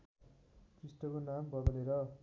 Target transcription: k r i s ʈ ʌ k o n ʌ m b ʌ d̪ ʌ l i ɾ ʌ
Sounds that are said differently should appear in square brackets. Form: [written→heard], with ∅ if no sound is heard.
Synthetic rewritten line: k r i s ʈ ʌ k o n [ʌ→a] m b ʌ d̪ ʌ l [i→e] ɾ ʌ